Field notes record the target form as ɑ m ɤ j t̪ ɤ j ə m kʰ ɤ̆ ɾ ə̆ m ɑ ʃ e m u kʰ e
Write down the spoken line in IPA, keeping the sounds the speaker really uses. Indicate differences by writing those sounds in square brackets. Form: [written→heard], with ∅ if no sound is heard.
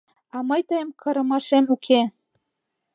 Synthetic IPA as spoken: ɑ m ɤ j t̪ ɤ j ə m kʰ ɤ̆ ɾ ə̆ m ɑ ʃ e m u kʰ e